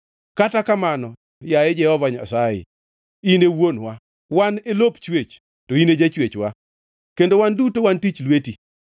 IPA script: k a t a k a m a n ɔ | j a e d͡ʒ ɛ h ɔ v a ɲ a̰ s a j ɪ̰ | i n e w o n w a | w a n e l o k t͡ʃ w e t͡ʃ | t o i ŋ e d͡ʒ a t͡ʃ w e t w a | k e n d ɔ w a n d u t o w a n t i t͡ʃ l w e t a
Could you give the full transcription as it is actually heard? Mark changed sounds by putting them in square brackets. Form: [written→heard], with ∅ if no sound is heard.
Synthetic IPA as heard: k a t a k a m a n ɔ | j a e d͡ʒ ɛ h ɔ v a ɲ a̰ s a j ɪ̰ | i n e w o n w a | w a n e l o [k→p] t͡ʃ w e t͡ʃ | t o i [ŋ→n] e d͡ʒ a t͡ʃ w e [t→t͡ʃ] w a | k e n d [ɔ→o] w a n d u t o w a n t i t͡ʃ l w e t [a→i]

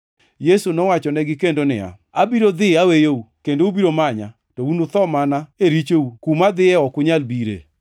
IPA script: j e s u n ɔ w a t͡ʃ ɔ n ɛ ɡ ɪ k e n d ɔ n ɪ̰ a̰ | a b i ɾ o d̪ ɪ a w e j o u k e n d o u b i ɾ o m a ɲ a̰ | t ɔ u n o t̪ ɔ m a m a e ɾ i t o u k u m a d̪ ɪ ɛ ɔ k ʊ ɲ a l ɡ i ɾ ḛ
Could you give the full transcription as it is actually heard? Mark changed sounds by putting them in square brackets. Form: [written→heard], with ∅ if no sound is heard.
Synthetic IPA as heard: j e s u n ɔ w a t͡ʃ ɔ n ɛ ɡ ɪ k e n d [ɔ→o] n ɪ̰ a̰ | a b i ɾ o d̪ ɪ a w e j o u k e n d o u b i ɾ o m a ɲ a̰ | t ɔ u n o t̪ ɔ m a [m→n] a e ɾ i [t→t͡ʃ] o u k u m a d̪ ɪ ɛ ɔ k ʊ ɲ a l [ɡ→b] i ɾ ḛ

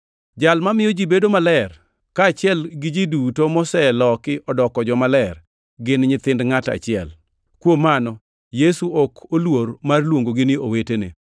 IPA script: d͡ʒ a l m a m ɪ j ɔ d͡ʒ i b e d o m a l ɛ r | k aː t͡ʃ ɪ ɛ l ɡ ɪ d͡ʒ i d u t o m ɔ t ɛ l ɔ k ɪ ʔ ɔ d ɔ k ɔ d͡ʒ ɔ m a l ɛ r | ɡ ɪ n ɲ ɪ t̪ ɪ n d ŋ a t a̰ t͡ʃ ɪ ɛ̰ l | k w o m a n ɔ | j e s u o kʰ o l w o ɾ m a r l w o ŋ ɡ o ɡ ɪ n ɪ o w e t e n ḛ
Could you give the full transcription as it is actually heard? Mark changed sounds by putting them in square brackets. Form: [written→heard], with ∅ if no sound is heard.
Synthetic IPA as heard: d͡ʒ a l m a m ɪ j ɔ d͡ʒ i b e d o m a l ɛ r | k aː t͡ʃ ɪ ɛ l ɡ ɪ d͡ʒ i d u t o m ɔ [t→s] ɛ l ɔ k ɪ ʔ ɔ d ɔ k ɔ d͡ʒ ɔ m a l ɛ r | ɡ ɪ n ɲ ɪ t̪ ɪ n d ŋ a t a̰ t͡ʃ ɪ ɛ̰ l | k w o m a n ɔ | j e s u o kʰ o l w o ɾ m a r l w o ŋ ɡ o ɡ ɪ n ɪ o w e t e n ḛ

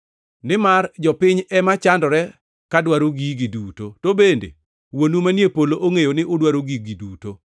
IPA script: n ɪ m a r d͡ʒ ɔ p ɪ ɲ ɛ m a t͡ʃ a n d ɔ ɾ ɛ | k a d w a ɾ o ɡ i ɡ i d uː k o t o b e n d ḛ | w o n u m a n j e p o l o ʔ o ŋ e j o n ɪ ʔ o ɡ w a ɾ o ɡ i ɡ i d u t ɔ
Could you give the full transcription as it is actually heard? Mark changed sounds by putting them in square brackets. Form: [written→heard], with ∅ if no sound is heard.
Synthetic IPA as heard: n ɪ m a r d͡ʒ ɔ p ɪ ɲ ɛ m a t͡ʃ a n d ɔ ɾ ɛ | k a d w a ɾ o ɡ i ɡ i d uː [k→t] o t o b e n d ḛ | w o n u m a n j e p o l o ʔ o ŋ e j o n ɪ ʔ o [ɡ→d] w a ɾ o ɡ i ɡ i d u t [ɔ→o]

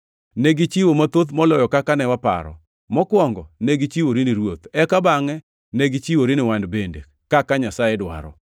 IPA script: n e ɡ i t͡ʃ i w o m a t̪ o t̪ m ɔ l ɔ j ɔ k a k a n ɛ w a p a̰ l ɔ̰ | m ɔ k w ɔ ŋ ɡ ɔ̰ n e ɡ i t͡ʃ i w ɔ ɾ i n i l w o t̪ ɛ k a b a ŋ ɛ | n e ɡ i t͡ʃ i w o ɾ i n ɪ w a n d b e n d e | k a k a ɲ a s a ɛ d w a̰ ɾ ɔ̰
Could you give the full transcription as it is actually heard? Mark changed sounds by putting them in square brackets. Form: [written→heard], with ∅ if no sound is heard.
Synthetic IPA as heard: n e ɡ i t͡ʃ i w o m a t̪ o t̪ m ɔ l ɔ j ɔ k a k a n ɛ w a p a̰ [l→ɾ] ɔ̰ | m ɔ k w ɔ ŋ ɡ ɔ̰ n e ɡ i t͡ʃ i w [ɔ→o] ɾ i n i [l→ɾ] w o t̪ ɛ k a b a ŋ ɛ | n e ɡ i t͡ʃ i w o ɾ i n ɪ w a n d b e n d e | k a k a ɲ a s a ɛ d w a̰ ɾ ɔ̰

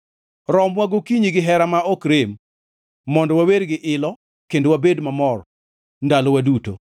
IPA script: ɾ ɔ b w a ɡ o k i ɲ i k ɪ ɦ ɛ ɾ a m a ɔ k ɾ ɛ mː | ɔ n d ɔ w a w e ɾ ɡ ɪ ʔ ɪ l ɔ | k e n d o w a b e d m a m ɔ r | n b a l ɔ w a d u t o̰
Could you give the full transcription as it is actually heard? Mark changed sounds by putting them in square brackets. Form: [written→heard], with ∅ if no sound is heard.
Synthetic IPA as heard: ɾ ɔ [b→m] w a ɡ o k i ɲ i [k→ɡ] ɪ ɦ ɛ ɾ a m a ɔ k ɾ [ɛ→e] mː | ɔ n d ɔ w a w e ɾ ɡ ɪ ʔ ɪ l ɔ | k e n d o w a b e d m a m ɔ r | n [b→d] a l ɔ w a d u t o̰

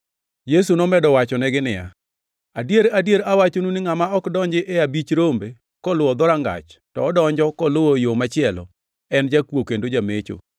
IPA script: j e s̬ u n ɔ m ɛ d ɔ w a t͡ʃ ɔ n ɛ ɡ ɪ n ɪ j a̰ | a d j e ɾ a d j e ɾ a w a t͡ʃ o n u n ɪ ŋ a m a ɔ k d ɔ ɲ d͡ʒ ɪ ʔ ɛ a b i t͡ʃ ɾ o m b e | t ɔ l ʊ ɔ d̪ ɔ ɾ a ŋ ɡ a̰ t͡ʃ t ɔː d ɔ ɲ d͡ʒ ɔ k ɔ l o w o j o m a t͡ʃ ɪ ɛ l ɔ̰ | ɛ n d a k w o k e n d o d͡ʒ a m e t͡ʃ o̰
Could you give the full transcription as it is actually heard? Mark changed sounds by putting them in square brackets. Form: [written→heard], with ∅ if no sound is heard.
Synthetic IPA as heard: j e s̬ u n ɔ m ɛ d ɔ w a t͡ʃ ɔ n ɛ ɡ ɪ n ɪ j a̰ | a d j e ɾ a d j e ɾ a w a t͡ʃ o n u n ɪ ŋ a m a ɔ k d ɔ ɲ d͡ʒ ɪ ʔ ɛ a b i t͡ʃ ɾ o m b e | [t→k] ɔ l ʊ ɔ d̪ ɔ ɾ a ŋ ɡ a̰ t͡ʃ t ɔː d ɔ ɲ d͡ʒ ɔ k ɔ l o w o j o m a t͡ʃ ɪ ɛ l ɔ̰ | ɛ n [d→d͡ʒ] a k w o k e n d o d͡ʒ a m e t͡ʃ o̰

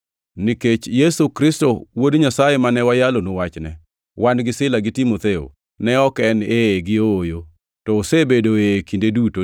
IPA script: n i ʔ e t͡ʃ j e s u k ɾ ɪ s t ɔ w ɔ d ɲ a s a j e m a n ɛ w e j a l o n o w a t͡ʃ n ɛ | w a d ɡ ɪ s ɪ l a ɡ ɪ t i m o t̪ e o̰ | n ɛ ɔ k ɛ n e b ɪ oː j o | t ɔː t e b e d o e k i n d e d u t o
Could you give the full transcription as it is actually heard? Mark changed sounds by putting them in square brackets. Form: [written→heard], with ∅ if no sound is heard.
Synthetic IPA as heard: n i [ʔ→k] e t͡ʃ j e s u k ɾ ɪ s t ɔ w [ɔ→o] d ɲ a s a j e m a n ɛ w [e→a] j a l o n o w a t͡ʃ n ɛ | w a [d→n] ɡ ɪ s ɪ l a ɡ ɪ t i m o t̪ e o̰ | n ɛ ɔ k ɛ n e [b→ɡ] ɪ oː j o | t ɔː [t→s] e b e d o e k i n d e d u t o

